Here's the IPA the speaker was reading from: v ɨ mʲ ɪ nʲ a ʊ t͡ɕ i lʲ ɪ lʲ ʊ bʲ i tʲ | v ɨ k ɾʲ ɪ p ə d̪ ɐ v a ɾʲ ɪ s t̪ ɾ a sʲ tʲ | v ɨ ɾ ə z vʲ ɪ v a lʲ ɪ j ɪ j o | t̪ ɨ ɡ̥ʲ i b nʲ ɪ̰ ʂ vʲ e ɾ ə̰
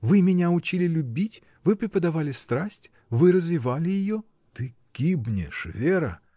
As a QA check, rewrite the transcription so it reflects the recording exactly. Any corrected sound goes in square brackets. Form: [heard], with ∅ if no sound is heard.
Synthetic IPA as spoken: v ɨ mʲ ɪ nʲ a ʊ t͡ɕ i lʲ ɪ lʲ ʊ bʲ i tʲ | v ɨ [p] ɾʲ ɪ p ə d̪ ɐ v a [lʲ] ɪ s t̪ ɾ a sʲ tʲ | v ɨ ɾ ə z vʲ ɪ v a lʲ ɪ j ɪ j o | t̪ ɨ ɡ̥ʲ i b nʲ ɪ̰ ʂ vʲ e ɾ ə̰